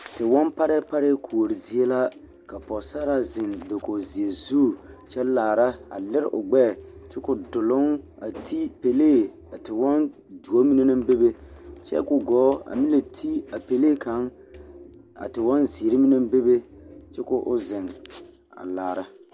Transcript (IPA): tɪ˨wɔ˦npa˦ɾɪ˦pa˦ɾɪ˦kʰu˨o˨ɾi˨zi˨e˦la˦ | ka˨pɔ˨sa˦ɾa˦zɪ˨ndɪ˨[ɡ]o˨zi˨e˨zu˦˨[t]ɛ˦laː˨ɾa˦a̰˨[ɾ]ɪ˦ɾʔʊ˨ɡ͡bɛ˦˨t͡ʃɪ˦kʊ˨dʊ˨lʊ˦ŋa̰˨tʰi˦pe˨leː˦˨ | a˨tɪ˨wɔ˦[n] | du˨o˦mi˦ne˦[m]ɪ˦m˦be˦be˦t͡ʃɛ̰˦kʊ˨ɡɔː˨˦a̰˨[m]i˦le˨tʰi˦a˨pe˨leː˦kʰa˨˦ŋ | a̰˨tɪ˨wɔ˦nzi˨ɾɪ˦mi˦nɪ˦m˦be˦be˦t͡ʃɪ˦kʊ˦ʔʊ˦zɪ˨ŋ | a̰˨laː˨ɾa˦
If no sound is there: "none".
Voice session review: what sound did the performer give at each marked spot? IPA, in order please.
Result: k, t͡ʃ, l, n, n, m

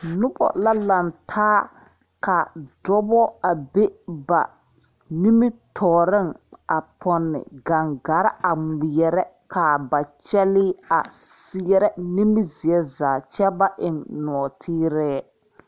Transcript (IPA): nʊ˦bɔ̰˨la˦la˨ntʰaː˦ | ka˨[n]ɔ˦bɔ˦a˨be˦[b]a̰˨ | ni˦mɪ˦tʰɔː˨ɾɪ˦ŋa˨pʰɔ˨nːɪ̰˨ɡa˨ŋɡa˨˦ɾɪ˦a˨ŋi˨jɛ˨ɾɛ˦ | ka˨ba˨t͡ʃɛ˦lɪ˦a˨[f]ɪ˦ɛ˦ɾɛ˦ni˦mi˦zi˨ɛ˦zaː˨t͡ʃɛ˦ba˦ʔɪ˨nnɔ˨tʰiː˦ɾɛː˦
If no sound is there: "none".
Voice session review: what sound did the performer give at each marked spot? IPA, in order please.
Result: d, b, s

